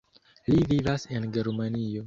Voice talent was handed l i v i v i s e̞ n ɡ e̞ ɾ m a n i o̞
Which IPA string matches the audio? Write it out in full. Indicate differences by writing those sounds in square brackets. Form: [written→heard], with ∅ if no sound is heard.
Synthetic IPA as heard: l i v i v [i→a] s e̞ n ɡ e̞ ɾ m a n i o̞